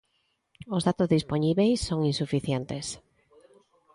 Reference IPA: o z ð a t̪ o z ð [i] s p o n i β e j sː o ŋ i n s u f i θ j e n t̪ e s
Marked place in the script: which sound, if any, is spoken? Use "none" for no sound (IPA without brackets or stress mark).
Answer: i